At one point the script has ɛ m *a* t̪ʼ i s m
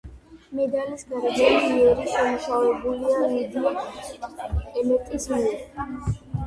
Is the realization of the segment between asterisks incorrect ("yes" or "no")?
yes